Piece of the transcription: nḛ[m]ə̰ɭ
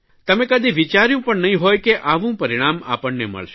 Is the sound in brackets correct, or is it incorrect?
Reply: correct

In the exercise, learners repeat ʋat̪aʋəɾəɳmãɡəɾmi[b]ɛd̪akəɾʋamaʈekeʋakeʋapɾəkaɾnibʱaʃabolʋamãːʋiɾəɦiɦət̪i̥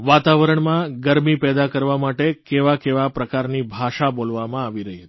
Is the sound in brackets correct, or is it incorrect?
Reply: incorrect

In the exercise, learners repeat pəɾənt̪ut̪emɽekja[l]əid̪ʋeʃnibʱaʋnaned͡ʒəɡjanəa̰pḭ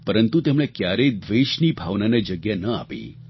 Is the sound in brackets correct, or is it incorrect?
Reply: incorrect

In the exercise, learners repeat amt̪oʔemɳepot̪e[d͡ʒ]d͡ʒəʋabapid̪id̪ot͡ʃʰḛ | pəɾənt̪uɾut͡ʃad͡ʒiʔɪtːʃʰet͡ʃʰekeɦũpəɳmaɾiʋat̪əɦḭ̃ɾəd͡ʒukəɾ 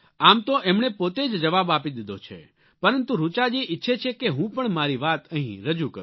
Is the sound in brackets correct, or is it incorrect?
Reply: correct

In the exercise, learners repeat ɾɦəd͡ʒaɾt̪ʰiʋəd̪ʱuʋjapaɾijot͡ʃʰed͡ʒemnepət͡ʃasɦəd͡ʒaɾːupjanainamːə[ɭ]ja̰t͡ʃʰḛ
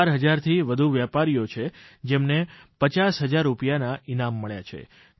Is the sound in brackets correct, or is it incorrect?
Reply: correct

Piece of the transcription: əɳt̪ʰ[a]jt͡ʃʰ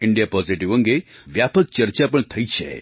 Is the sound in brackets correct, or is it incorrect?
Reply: incorrect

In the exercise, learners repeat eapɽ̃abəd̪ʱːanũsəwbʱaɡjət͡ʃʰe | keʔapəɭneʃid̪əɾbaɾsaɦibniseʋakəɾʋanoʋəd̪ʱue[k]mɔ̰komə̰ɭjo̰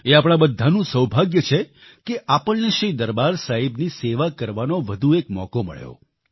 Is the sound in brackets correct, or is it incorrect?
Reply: correct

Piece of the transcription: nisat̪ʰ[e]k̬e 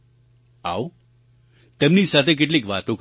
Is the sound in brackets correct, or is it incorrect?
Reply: correct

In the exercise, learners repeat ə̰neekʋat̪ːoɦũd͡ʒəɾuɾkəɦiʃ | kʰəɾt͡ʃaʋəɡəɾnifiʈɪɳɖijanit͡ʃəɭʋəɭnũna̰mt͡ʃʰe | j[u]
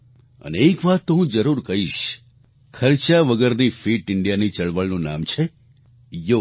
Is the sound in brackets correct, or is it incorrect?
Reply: incorrect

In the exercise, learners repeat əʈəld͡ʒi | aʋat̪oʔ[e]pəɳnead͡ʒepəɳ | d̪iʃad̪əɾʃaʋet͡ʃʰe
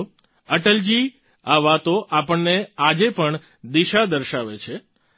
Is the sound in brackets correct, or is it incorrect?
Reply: incorrect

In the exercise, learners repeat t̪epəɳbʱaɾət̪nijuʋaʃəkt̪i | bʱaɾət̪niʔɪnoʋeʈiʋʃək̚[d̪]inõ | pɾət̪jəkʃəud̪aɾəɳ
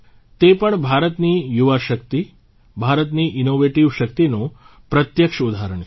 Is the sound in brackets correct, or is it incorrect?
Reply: incorrect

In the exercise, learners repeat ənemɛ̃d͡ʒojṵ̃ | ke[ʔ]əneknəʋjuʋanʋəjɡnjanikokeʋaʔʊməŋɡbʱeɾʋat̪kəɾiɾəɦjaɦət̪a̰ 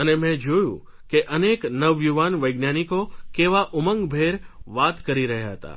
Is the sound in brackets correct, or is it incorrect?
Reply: correct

